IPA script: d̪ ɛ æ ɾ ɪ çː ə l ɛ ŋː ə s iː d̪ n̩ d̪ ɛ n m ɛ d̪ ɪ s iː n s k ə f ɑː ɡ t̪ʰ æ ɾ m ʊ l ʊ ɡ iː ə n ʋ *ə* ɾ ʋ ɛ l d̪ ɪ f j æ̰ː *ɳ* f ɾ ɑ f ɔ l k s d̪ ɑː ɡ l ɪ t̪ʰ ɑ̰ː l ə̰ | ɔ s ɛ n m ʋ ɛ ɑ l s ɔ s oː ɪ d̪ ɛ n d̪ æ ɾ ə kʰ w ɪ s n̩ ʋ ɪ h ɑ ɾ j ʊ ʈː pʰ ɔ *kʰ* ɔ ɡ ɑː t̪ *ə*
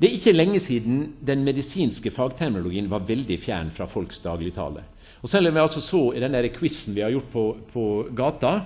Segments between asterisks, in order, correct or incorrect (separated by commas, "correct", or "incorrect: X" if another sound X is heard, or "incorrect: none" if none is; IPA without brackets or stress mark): incorrect: ɑ, correct, incorrect: pʰ, incorrect: ɑ